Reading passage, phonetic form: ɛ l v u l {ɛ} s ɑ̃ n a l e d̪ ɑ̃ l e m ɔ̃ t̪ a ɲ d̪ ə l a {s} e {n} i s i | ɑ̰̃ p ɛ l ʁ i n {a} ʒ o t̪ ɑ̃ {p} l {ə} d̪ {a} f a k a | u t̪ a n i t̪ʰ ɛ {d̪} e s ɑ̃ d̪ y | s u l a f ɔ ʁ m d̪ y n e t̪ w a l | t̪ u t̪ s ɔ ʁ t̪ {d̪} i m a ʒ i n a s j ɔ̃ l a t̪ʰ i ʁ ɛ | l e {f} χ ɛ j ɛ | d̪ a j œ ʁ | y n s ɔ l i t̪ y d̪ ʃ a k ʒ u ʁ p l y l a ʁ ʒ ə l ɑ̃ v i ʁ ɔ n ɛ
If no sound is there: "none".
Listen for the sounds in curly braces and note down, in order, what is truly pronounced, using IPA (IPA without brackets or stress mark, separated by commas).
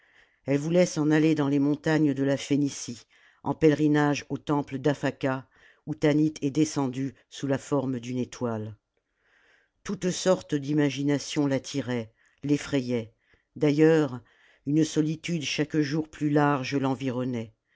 ɛ, f, n, a, p, ə, a, d̪, d̪, f